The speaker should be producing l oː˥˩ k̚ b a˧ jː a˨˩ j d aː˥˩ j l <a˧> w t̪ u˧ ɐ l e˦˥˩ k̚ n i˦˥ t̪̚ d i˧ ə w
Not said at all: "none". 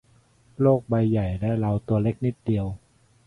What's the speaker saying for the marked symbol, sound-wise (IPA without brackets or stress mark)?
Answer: a˧